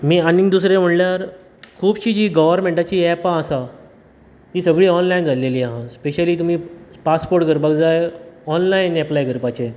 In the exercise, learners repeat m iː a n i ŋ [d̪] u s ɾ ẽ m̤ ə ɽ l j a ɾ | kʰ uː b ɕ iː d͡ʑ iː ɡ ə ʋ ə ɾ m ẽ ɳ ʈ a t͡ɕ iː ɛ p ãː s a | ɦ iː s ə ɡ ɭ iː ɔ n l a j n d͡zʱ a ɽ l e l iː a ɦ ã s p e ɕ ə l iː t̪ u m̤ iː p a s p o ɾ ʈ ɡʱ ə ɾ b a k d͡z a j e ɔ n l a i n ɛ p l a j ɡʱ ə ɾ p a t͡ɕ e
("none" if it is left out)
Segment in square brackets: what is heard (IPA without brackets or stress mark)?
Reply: d̪